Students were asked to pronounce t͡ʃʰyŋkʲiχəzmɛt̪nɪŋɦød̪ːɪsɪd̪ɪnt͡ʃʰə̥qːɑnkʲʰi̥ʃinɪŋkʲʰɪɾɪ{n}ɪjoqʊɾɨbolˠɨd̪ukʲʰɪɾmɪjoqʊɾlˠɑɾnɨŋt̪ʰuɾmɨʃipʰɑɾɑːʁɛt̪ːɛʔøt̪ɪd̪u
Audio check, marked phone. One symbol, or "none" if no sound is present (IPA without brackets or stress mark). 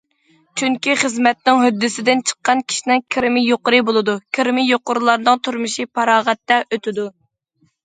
m